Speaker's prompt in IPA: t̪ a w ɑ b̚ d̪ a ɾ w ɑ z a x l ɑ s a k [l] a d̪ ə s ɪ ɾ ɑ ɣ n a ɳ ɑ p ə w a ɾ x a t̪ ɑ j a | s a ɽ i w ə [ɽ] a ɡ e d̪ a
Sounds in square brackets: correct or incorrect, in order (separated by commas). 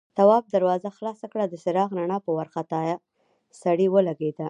incorrect, incorrect